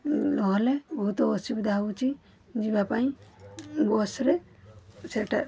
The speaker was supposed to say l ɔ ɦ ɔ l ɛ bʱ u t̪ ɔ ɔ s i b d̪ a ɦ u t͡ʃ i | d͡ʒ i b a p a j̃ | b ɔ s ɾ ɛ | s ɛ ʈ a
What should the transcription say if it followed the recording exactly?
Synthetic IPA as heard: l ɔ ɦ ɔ l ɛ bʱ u t̪ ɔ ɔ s i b d̪ a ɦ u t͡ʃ i | d͡ʒ i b a p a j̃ | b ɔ s ɾ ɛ | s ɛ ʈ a

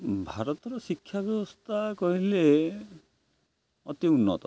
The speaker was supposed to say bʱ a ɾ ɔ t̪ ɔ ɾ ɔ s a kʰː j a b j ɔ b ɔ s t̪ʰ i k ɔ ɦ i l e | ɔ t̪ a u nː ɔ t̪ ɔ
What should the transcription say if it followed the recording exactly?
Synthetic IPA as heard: bʱ a ɾ ɔ t̪ ɔ ɾ ɔ s i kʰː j a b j ɔ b ɔ s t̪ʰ a k ɔ ɦ i l e | ɔ t̪ i u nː ɔ t̪ ɔ

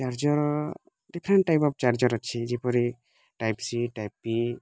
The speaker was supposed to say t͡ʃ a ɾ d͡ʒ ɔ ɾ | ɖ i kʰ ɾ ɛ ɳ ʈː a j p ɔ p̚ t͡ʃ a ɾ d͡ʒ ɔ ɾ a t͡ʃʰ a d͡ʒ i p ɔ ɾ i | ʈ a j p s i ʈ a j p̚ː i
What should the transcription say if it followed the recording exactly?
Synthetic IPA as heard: t͡ʃ a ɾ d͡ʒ ɔ ɾ | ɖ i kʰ ɾ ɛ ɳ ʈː a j p ɔ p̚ t͡ʃ a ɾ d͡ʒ ɔ ɾ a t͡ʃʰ i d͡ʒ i p ɔ ɾ i | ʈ a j p s i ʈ a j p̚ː i

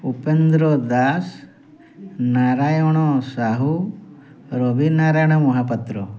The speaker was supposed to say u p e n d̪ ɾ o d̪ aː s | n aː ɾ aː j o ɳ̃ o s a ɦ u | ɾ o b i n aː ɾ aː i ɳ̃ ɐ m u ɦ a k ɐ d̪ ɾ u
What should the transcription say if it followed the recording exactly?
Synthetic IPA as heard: u p e n d̪ ɾ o d̪ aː s | n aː ɾ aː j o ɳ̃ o s a ɦ u | ɾ o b i n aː ɾ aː j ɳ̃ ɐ m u ɦ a p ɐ t̪ ɾ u

